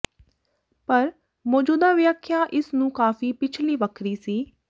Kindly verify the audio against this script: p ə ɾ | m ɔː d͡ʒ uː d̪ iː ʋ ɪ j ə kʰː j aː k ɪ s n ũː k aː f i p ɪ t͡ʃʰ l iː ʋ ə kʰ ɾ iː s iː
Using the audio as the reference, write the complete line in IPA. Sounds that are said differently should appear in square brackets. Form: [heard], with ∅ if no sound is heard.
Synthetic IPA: p ə ɾ | m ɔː d͡ʒ uː d̪ [aː] ʋ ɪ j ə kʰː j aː [ʔ] ɪ s n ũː k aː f [iː] p ɪ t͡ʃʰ l iː ʋ ə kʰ ɾ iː s iː